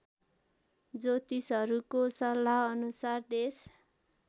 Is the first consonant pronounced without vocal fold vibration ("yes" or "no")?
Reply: no